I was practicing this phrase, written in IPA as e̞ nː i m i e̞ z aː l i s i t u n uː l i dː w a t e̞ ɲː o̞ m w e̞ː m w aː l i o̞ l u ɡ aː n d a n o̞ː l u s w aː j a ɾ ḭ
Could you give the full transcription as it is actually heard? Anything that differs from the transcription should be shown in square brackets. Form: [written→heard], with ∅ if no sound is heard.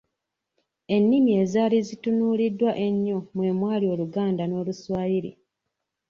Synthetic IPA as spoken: e̞ nː i m i e̞ z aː l i [s→z] i t u n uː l i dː w a [t→ʔ] e̞ ɲː o̞ m w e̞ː m w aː l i o̞ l u ɡ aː n d a n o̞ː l u s w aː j [a→i] ɾ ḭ